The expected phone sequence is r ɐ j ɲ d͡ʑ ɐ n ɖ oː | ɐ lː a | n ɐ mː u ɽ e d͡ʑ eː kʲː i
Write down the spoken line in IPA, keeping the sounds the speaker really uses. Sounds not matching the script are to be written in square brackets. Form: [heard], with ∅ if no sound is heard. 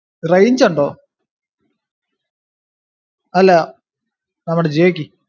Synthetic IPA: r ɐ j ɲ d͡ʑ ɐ [ɳ] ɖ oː | ɐ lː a | n ɐ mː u ɽ e d͡ʑ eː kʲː i